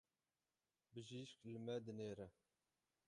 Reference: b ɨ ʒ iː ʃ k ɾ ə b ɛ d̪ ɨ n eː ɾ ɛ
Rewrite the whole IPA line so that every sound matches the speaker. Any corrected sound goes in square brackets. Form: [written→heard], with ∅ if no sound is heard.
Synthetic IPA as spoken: b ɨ ʒ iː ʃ k [ɾ→l] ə [b→m] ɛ d̪ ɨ n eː ɾ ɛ

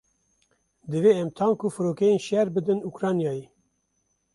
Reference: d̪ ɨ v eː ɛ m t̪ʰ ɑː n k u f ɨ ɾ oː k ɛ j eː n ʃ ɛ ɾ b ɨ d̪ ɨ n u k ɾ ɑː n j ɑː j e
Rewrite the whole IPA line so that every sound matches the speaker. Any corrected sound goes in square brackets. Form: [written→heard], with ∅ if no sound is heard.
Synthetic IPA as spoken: d̪ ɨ v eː ɛ m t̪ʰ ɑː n k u f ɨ ɾ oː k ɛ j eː n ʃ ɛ ɾ b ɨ d̪ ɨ n u k ɾ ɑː n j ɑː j e

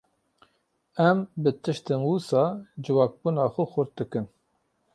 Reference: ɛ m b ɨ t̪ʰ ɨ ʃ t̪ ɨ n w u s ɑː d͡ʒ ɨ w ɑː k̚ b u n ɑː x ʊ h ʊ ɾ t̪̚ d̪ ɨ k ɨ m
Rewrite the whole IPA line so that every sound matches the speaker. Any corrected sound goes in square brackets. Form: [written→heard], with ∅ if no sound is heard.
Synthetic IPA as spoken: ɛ m b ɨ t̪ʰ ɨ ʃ t̪ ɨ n w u s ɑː d͡ʒ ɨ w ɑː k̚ b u n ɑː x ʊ [h→x] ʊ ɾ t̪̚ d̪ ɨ k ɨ [m→n]

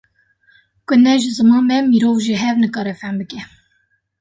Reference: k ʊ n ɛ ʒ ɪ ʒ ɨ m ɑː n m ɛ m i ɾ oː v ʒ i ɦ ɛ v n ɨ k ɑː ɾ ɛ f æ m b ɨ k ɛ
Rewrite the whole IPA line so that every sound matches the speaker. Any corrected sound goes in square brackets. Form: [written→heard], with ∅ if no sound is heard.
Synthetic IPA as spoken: k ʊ n ɛ ʒ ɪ [ʒ→z] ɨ m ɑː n m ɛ m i ɾ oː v ʒ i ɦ ɛ v n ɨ k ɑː ɾ ɛ f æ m b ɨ k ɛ

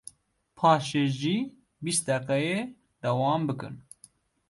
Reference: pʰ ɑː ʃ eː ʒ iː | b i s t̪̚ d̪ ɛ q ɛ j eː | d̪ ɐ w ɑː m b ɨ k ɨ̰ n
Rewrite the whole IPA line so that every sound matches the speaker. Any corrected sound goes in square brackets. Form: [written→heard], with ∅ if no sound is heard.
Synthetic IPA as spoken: pʰ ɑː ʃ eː ʒ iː | b i s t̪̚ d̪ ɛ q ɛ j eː | d̪ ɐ w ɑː m b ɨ k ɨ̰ n

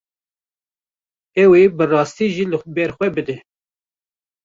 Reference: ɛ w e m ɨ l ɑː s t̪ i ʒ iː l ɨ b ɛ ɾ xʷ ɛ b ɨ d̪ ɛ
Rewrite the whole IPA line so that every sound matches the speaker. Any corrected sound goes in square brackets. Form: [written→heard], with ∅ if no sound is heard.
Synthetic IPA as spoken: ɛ w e [m→b] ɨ [l→r] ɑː s t̪ i ʒ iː l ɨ b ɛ ɾ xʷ ɛ b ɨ d̪ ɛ

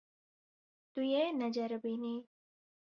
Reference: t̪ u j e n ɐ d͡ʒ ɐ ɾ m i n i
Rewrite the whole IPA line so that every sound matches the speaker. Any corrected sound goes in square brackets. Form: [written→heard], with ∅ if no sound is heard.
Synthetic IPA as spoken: t̪ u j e n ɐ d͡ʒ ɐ ɾ [m→b] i n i

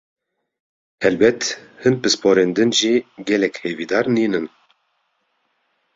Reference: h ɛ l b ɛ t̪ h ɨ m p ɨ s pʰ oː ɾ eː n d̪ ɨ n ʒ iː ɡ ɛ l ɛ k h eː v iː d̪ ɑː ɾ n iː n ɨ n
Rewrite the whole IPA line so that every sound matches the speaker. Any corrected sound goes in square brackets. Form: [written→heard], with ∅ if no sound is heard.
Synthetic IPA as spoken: h ɛ l b ɛ t̪ h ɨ [m→n] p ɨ s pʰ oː ɾ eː n d̪ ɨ n ʒ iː ɡ ɛ l ɛ k h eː v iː d̪ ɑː ɾ n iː n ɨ n

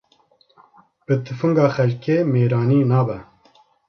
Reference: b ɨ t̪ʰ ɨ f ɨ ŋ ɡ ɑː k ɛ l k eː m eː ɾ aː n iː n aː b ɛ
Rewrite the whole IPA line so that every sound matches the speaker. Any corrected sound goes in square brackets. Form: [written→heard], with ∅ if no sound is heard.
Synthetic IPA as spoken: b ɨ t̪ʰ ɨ f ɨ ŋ ɡ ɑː [k→x] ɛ l k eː m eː ɾ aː n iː n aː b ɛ

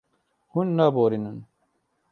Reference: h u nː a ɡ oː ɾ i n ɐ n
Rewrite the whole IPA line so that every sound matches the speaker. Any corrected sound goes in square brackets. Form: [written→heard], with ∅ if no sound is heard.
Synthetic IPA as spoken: h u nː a [ɡ→b] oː ɾ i n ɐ n

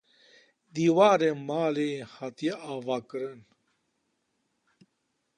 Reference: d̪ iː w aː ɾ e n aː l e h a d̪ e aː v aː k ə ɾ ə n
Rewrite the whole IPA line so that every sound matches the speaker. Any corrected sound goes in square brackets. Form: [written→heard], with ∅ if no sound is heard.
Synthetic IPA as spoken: d̪ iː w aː ɾ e [n→m] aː l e h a [d̪→t̪] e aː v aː k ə ɾ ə n

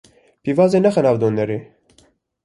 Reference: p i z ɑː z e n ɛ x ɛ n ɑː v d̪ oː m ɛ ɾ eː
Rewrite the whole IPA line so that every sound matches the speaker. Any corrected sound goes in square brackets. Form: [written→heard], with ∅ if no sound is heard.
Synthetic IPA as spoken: p i [z→v] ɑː z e n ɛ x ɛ n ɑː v d̪ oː [m→n] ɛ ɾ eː

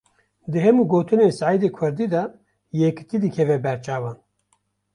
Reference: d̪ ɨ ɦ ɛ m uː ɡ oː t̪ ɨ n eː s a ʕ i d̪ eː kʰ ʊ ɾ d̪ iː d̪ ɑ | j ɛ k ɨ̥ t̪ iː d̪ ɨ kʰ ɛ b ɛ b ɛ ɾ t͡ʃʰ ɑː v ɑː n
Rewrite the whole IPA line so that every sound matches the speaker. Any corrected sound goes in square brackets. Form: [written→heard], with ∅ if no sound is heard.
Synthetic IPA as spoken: d̪ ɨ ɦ ɛ m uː ɡ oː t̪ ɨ n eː s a ʕ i d̪ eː kʰ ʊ ɾ d̪ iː d̪ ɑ | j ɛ k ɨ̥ t̪ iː d̪ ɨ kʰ ɛ [b→v] ɛ b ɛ ɾ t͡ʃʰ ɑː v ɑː n

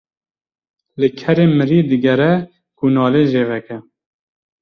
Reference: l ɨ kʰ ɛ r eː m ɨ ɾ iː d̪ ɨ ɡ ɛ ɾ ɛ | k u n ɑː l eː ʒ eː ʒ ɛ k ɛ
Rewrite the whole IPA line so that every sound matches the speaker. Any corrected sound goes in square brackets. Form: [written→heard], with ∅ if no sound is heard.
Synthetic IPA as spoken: l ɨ kʰ ɛ [r→ɾ] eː m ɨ ɾ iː d̪ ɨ ɡ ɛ ɾ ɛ | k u n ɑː l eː ʒ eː [ʒ→v] ɛ k ɛ

